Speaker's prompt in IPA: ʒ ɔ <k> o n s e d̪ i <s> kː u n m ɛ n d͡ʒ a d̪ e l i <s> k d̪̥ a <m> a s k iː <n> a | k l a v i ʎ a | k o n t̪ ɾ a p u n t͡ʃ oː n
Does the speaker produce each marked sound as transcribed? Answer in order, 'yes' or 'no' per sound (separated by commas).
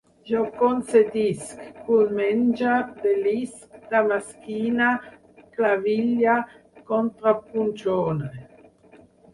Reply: yes, yes, yes, yes, yes